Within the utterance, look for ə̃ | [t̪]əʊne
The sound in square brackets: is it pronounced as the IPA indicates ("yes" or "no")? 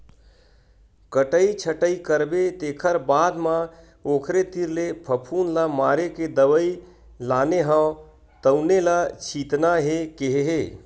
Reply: yes